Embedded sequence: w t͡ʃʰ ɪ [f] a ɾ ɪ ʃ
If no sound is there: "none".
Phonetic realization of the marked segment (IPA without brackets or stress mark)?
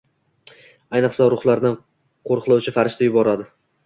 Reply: f